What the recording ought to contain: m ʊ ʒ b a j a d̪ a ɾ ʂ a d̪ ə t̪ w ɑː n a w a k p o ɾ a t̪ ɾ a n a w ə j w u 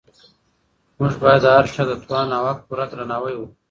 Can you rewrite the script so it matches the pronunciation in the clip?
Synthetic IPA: m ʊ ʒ b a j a d̪ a ɾ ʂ a d̪ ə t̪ w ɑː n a w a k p u ɾ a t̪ ɾ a n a w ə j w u